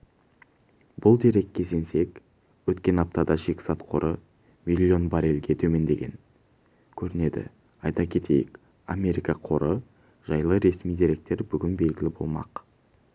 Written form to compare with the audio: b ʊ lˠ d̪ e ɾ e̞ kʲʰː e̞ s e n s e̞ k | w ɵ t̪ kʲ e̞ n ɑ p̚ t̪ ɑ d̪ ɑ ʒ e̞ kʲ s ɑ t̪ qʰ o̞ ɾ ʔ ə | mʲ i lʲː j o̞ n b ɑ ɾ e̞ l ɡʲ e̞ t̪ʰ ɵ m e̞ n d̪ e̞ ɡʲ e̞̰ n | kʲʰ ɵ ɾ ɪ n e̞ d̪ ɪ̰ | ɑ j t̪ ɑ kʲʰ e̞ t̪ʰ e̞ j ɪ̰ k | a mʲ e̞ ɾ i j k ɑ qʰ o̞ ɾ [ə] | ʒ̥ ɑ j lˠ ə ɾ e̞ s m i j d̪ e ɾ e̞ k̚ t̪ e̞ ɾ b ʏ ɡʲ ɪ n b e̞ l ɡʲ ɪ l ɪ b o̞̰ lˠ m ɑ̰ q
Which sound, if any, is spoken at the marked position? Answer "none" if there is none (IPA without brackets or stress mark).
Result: ə